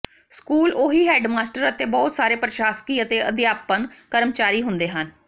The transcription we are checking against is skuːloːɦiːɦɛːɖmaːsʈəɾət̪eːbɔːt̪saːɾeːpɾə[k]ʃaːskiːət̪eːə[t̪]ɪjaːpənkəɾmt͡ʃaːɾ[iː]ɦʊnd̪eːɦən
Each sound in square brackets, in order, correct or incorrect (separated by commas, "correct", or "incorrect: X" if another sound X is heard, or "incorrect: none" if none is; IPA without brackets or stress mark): incorrect: none, incorrect: d̪, correct